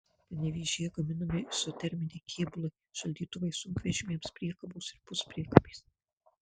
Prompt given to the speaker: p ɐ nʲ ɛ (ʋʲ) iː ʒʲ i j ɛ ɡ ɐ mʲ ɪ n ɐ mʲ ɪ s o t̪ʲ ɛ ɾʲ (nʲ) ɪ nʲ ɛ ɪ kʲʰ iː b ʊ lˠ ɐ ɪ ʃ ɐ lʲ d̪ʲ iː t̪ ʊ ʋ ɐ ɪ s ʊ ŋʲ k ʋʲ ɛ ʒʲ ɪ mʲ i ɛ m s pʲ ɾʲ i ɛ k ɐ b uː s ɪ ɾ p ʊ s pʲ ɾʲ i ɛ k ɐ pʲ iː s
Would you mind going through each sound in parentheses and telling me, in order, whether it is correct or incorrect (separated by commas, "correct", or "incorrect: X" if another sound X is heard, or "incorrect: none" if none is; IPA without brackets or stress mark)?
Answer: correct, incorrect: mʲ